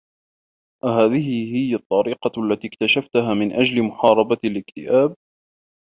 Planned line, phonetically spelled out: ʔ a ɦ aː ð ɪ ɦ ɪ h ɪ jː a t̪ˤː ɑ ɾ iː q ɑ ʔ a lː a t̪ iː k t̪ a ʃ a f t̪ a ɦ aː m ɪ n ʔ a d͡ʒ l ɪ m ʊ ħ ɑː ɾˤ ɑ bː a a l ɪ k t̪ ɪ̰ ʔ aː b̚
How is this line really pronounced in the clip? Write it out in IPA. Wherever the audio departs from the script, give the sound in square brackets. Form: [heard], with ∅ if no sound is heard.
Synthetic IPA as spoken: ʔ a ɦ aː ð ɪ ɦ ɪ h ɪ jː a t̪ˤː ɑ ɾ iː q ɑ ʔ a lː a t̪ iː k t̪ a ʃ a f t̪ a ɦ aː m ɪ n ʔ a d͡ʒ l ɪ m ʊ ħ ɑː ɾˤ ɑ [b] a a l ɪ k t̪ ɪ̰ ʔ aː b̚

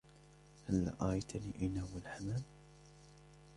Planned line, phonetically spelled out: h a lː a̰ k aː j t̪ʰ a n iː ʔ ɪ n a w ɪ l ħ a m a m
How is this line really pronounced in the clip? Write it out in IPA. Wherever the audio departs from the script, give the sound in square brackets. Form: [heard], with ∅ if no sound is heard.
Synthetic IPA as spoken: h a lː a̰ [ʔ] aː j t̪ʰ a n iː ʔ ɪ n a w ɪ l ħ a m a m

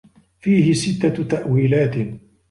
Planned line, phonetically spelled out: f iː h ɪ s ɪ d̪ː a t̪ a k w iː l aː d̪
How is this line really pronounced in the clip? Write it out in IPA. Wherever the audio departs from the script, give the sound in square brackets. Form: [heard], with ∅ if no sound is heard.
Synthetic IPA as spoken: f iː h ɪ s ɪ [t̪ː] a t̪ a [ʔ] w iː l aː [t̪]

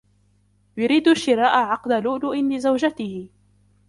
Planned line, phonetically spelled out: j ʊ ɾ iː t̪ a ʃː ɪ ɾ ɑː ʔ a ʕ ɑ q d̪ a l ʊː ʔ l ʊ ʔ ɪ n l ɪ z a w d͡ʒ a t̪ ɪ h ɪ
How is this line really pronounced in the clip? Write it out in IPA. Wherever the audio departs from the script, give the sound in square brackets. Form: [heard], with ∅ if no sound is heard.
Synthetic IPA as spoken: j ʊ ɾ iː [d̪] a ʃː ɪ ɾ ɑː ʔ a ʕ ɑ q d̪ a l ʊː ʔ l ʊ ʔ ɪ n l ɪ z a w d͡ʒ a t̪ ɪ h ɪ

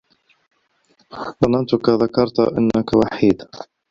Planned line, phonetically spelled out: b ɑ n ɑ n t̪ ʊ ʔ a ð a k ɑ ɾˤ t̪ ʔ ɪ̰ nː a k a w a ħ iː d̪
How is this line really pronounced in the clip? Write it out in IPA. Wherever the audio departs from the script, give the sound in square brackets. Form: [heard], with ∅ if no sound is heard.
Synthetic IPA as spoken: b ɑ n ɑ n t̪ ʊ [k] a ð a k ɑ ɾˤ t̪ ʔ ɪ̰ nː a k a w a ħ iː d̪

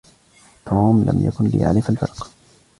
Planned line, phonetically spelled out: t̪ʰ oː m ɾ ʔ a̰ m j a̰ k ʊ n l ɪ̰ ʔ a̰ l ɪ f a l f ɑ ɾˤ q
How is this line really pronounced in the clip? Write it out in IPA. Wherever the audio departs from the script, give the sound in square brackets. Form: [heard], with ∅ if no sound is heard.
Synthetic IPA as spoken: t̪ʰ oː m [l] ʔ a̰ m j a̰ k ʊ n l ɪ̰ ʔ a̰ l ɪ f a l f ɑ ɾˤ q

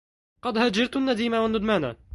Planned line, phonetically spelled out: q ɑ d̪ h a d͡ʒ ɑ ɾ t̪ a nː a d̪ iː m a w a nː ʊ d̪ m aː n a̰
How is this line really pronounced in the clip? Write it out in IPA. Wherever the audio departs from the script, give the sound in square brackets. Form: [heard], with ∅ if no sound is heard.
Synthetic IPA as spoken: q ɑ d̪ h a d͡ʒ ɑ ɾ t̪ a nː a d̪ iː m a w a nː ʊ d̪ m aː n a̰

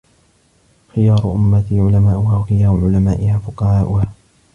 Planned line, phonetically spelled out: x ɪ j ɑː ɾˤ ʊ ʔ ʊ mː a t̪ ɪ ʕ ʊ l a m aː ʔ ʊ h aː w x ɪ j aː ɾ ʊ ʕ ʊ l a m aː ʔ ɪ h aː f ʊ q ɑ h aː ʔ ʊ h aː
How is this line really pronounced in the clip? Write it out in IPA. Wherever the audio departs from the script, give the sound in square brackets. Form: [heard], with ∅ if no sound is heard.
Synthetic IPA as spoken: x ɪ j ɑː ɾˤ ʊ ʔ ʊ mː a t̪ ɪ ʕ ʊ l a m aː ʔ ʊ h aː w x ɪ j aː ɾ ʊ ʕ ʊ l a m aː ʔ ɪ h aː f ʊ q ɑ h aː ʔ ʊ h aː

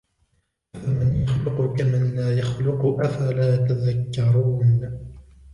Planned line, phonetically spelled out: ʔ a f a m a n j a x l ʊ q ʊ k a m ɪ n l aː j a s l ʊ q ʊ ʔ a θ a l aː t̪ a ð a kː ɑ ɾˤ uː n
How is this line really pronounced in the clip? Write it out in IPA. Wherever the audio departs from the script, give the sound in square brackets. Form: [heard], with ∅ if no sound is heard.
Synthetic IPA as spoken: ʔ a f a m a n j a x l ʊ q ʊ k a m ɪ n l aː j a [x] l ʊ q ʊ ʔ a [f] a l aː t̪ a ð a kː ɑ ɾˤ uː n

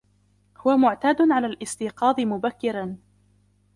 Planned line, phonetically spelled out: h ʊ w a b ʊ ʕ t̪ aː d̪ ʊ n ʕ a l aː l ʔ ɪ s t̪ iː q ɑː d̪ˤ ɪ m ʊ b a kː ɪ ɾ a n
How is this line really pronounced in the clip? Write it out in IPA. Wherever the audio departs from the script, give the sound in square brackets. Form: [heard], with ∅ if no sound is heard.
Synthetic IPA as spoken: h ʊ w a [m] ʊ ʕ t̪ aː d̪ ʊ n ʕ a l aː l ʔ ɪ s t̪ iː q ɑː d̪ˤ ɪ m ʊ b a kː ɪ ɾ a n

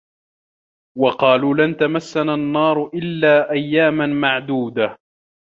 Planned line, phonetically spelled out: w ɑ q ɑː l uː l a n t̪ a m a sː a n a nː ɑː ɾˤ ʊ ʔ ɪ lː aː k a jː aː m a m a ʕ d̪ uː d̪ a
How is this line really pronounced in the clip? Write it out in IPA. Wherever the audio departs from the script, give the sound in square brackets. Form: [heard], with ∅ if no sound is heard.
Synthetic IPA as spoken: w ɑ q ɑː l uː l a n t̪ a m a sː a n a nː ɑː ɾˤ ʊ ʔ ɪ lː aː [ʔ] a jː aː m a m a ʕ d̪ uː d̪ a

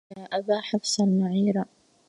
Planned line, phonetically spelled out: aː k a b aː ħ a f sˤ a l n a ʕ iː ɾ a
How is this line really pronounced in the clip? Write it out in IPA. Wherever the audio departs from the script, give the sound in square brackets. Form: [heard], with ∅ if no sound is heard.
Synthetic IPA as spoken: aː [ʔ] a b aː ħ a f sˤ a l [m] a ʕ iː ɾ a

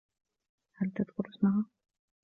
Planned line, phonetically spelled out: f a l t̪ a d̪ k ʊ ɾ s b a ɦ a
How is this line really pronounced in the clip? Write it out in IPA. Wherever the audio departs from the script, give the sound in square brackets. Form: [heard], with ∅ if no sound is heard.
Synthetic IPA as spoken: [h] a l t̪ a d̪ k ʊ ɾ s [m] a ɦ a

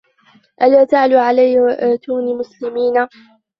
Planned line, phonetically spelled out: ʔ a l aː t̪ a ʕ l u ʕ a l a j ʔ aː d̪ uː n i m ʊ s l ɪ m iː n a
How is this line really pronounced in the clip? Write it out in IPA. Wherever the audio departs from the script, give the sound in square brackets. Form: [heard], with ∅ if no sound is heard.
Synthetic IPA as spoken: ʔ a l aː t̪ a ʕ l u ʕ a l a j ʔ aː [t̪] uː n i m ʊ s l ɪ m iː n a

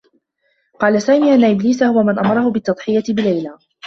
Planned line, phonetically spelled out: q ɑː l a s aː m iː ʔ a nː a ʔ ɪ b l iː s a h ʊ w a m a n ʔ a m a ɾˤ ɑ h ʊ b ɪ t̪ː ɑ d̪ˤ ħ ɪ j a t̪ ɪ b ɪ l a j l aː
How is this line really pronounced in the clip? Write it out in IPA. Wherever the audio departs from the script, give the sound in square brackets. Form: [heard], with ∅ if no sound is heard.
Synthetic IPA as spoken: q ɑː l a s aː m iː ʔ a nː a ʔ ɪ b l iː s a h ʊ w a m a n ʔ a m [ɑ] ɾˤ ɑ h ʊ b ɪ t̪ː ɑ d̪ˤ ħ ɪ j a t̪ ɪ b ɪ l a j l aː

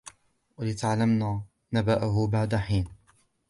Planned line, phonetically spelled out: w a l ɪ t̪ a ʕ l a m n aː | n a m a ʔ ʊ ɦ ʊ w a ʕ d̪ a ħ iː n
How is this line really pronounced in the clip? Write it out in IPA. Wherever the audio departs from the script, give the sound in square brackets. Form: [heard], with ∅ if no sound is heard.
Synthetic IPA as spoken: w a l ɪ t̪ a ʕ l a m n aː | n a [b] a ʔ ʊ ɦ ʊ [b] a ʕ d̪ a ħ iː n

